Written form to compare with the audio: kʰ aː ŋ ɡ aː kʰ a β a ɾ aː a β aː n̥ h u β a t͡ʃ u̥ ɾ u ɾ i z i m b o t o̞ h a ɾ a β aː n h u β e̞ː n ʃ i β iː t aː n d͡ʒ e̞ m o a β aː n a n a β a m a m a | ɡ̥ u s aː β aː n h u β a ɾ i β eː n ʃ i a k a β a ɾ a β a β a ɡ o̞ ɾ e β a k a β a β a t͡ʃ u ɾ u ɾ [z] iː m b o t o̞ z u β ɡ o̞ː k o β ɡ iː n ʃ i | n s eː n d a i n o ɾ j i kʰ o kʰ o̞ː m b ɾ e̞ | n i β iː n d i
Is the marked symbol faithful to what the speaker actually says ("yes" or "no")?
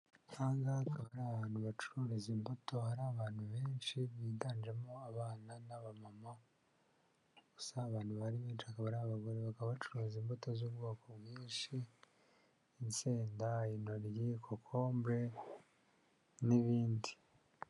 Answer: yes